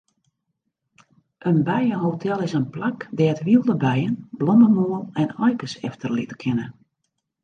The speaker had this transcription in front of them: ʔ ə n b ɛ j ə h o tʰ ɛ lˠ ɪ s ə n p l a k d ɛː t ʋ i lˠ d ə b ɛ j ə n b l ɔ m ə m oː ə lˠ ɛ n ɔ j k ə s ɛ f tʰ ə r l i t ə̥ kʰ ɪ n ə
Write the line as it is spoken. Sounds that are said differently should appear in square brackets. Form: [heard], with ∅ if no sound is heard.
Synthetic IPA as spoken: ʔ ə n b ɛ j ə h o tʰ ɛ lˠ ɪ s ə n p l a k d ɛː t ʋ i lˠ d ə b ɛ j ə n b l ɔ m ə m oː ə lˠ ɛ n ɔ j k ə s ɛ f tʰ ə r l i t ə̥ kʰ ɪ n ə

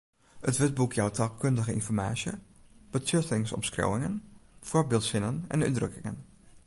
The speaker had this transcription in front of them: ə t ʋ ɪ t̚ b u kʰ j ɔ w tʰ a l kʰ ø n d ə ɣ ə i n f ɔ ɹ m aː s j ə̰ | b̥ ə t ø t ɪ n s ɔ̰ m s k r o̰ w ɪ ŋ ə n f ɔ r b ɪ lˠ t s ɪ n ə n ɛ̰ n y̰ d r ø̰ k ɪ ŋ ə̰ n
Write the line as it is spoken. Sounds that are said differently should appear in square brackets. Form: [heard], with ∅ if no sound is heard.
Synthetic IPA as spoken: ə t ʋ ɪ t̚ b u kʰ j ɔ w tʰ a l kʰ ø n d ə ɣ ə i n f ɔ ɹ m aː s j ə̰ | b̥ ə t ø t ɪ [ŋ] s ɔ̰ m s k r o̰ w ɪ ŋ ə n f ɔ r b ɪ lˠ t s ɪ n ə n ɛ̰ n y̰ d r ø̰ k ɪ ŋ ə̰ n

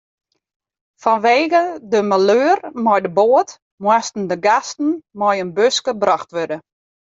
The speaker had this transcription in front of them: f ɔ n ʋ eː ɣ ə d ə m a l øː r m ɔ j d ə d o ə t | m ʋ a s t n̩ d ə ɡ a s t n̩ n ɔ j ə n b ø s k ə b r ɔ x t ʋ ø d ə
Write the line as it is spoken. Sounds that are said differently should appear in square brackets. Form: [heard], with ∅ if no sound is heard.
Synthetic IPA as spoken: f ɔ n ʋ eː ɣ ə d ə m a l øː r m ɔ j d ə [b] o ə t | m [w] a s t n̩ d ə ɡ a s t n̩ [m] ɔ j ə n b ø s k ə b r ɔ x t ʋ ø d ə

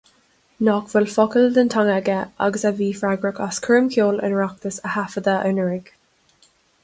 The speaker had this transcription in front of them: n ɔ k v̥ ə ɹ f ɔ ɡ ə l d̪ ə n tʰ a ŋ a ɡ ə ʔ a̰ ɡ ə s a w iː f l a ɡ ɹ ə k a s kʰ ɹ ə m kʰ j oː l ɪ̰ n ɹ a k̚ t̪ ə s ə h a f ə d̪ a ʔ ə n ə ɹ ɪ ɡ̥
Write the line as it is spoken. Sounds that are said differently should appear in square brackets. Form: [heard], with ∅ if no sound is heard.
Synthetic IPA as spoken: n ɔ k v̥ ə [l] f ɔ [k] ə l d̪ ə n tʰ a ŋ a ɡ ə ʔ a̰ ɡ ə s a [v] iː f [ɹ] a ɡ ɹ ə k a s kʰ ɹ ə m kʰ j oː l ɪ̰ n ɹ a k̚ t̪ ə s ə h a f ə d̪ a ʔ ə n ə ɹ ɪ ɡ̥

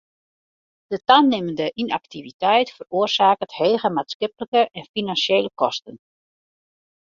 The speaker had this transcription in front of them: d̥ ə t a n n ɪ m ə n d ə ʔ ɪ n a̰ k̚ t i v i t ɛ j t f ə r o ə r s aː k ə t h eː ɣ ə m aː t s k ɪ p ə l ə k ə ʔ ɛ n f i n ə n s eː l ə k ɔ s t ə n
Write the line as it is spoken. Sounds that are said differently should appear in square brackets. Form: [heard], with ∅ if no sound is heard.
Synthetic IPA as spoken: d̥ ə t a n n ɪ m ə n d ə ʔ [i] n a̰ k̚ t i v i t ɛ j t f ə r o ə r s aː k ə t h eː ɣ ə m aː t s k ɪ p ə l ə k ə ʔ ɛ n f i n [a] n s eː l ə k ɔ s t ə n

